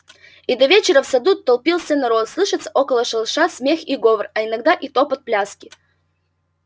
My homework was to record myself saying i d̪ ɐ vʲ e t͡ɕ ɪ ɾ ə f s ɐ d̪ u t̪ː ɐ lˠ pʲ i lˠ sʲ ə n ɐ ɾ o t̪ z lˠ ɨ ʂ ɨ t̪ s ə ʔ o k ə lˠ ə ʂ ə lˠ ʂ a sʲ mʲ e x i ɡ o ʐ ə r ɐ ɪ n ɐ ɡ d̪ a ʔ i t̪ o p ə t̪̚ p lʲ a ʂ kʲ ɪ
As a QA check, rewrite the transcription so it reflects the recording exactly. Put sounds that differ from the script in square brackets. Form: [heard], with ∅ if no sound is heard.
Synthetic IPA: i d̪ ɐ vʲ e t͡ɕ ɪ ɾ ə f s ɐ d̪ u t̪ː ɐ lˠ pʲ i lˠ sʲ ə n ɐ ɾ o t̪ [s] lˠ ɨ ʂ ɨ t̪ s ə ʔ o k ə lˠ ə ʂ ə lˠ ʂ a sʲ mʲ e x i ɡ o [v] ə r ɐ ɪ n ɐ ɡ d̪ a ʔ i t̪ o p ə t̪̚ p lʲ a [s] kʲ ɪ